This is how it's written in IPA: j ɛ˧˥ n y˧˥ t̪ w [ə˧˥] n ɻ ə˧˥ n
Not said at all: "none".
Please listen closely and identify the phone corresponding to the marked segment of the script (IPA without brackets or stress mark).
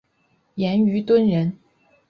ə˥